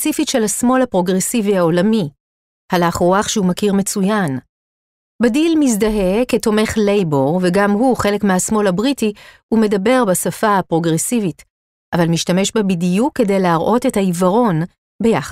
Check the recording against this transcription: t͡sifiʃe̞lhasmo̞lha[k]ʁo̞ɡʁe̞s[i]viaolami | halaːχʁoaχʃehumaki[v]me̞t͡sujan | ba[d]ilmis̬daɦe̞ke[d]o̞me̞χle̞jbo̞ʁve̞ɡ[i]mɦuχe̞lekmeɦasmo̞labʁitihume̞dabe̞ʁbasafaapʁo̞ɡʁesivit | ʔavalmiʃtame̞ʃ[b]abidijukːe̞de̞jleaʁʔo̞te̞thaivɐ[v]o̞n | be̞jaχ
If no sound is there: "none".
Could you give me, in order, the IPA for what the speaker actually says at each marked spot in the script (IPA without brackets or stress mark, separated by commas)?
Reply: p, i, ʁ, d, t, a, b, ʁ